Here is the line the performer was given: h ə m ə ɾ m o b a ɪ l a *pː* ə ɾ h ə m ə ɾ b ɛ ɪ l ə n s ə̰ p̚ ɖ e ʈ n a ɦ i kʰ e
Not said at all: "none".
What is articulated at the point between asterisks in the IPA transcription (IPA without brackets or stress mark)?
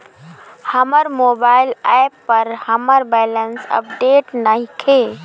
pː